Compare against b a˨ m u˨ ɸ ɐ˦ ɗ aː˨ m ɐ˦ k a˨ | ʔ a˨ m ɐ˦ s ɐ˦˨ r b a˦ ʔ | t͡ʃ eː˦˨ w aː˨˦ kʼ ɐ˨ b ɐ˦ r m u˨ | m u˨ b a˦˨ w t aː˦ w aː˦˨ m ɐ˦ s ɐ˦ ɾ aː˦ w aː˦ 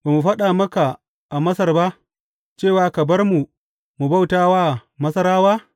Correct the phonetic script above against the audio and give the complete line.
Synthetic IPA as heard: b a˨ m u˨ ɸ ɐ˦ ɗ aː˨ m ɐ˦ k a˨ | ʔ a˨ m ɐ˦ s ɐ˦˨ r b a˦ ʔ | t͡ʃ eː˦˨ w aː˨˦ k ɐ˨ b ɐ˦ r m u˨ | m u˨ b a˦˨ w t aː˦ w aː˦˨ m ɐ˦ s ɐ˦ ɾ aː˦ w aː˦